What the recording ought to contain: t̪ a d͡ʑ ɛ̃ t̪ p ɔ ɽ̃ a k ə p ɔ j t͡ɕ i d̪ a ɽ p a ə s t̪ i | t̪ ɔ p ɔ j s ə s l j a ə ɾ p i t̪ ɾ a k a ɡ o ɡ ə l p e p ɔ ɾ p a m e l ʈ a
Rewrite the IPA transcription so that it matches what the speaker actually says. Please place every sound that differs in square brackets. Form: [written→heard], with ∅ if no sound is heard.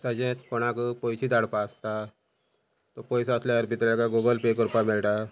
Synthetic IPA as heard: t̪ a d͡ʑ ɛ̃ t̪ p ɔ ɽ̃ a k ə p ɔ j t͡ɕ i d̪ a ɽ p a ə s t̪ [i→a] | t̪ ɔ p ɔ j s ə s l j a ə ɾ p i t̪ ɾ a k a ɡ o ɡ ə l p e [p→k] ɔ ɾ p a m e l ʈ a

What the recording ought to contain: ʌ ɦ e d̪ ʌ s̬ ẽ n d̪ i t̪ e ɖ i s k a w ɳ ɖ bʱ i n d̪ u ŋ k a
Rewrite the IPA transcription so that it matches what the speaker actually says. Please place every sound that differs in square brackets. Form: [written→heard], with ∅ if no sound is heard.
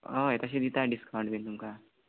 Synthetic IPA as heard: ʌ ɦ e [d̪→t̪] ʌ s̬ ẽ [n→∅] d̪ i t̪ [e→a] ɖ i s k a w ɳ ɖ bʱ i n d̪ u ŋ k a

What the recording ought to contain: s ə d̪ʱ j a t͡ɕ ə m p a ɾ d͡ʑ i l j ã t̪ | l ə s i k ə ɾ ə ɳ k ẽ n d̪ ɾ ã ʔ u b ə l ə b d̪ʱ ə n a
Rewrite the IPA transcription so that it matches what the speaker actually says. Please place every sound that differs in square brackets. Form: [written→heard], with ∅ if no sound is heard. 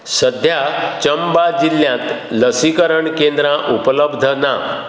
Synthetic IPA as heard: s ə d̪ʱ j a t͡ɕ ə m [p→b] a [ɾ→∅] d͡ʑ i l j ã t̪ | l ə s i k ə ɾ ə ɳ k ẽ n d̪ ɾ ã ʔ u [b→p] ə l ə b d̪ʱ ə n a

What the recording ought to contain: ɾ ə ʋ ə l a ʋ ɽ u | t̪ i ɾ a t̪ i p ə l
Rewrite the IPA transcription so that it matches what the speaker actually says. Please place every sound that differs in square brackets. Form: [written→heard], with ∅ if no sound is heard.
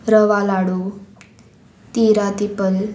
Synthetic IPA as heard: ɾ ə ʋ [ə→a] l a [ʋ→∅] ɽ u | t̪ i ɾ a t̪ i p ə l

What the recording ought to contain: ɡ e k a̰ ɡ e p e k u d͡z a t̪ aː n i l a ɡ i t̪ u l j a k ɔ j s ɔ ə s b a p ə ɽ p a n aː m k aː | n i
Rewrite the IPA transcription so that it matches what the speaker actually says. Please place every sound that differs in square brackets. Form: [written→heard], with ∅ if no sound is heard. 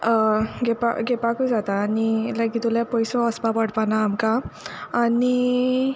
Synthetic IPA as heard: ɡ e [k→p] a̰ ɡ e p [e→a] k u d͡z a t̪ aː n i l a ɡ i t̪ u l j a [k→p] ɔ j s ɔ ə s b a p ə ɽ p a n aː m k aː | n i

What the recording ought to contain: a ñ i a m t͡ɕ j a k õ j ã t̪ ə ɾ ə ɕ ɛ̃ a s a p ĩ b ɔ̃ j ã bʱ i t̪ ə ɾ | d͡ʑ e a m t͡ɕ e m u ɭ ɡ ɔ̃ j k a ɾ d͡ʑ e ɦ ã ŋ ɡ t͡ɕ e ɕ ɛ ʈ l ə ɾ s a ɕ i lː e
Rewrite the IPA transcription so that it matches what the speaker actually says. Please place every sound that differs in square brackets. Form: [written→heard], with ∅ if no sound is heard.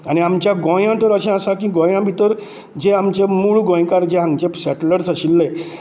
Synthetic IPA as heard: a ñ i a m t͡ɕ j a [k→ɡ] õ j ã t̪ ə ɾ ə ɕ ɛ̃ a s a [p→k] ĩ [b→ɡ] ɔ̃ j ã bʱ i t̪ ə ɾ | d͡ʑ e a m t͡ɕ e m u ɭ ɡ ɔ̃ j k a ɾ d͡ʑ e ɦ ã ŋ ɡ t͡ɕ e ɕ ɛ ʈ l ə ɾ s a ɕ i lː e

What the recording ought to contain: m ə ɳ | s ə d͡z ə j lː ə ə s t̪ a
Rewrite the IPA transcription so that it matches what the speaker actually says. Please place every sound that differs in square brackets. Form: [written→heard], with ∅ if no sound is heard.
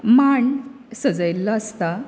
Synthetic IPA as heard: m [ə→a] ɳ | s ə d͡z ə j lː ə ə s t̪ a

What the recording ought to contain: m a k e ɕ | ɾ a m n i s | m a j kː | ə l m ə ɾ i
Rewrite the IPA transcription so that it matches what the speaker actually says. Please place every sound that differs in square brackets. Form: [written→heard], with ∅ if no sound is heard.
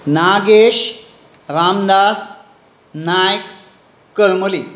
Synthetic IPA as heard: [m→n] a [k→ɡ] e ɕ | ɾ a m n [i→a] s | [m→n] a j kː | ə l m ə [ɾ→l] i

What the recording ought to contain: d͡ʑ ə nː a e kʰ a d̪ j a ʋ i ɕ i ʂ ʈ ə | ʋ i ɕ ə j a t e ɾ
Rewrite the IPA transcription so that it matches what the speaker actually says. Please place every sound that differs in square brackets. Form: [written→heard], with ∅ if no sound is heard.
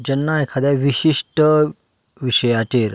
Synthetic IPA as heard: d͡ʑ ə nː a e kʰ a d̪ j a ʋ i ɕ i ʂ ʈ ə | ʋ i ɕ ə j a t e ɾ

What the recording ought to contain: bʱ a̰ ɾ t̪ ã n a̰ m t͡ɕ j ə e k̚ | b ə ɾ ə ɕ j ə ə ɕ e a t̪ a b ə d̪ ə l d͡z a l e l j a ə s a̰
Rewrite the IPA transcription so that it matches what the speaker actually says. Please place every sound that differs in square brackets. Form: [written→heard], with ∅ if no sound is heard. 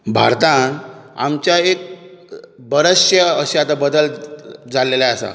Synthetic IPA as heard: bʱ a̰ ɾ t̪ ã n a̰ m t͡ɕ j [ə→a] e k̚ | b ə ɾ ə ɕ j ə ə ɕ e a t̪ a b ə d̪ ə l d͡z a l e l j a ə s a̰

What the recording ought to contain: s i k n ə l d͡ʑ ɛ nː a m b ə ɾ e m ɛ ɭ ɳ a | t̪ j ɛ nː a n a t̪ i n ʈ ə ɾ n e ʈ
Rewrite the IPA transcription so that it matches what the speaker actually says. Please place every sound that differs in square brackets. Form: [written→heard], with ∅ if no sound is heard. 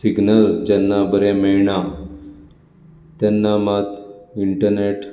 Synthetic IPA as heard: s i [k→ɡ] n ə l d͡ʑ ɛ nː a [m→∅] b ə ɾ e m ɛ ɭ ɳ a | t̪ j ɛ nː a [n→m] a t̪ i [n→ɳ] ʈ ə ɾ n e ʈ

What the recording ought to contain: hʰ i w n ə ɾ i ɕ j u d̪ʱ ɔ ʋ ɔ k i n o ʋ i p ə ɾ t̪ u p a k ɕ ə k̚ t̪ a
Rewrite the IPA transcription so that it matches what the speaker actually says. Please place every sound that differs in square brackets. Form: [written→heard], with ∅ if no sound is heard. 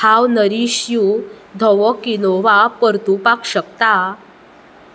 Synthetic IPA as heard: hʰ [i→a] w n ə ɾ i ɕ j u d̪ʱ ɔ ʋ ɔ k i n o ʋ [i→a] p ə ɾ t̪ u p a k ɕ ə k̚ t̪ a

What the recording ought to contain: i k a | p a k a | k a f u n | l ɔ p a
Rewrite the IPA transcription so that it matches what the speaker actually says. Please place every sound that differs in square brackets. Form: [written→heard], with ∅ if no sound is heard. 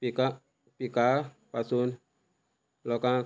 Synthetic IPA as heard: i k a | p [a→i] k a | [k→p] a [f→s] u n | l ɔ [p→k] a

